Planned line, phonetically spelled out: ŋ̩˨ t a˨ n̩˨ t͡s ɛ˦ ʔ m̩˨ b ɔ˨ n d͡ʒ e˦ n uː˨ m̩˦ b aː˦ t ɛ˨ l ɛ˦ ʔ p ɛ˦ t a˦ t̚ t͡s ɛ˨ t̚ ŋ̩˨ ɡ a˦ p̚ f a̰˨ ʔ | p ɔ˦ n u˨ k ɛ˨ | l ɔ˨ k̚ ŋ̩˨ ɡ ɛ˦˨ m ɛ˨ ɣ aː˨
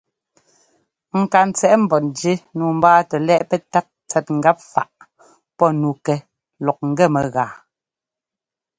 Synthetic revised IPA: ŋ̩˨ k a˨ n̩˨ t͡s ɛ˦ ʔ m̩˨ b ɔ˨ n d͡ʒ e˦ n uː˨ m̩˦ b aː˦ t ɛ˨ l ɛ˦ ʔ p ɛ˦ t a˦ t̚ t͡s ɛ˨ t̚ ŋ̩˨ ɡ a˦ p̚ f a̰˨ ʔ | p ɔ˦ n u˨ k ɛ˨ | l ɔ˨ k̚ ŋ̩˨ ɡ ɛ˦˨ m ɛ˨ ɣ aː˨